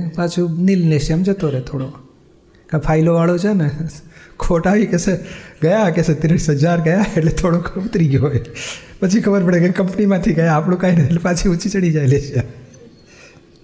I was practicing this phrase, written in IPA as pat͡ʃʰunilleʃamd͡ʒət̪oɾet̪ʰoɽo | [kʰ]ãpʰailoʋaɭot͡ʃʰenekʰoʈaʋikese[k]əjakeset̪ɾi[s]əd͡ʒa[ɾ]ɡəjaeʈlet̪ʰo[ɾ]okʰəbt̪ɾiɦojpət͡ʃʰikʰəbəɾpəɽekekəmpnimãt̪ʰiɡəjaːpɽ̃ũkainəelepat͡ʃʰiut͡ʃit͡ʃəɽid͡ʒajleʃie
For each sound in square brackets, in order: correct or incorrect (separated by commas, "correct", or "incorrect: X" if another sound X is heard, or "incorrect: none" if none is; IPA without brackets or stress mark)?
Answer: incorrect: k, incorrect: ɡ, correct, correct, incorrect: ɽ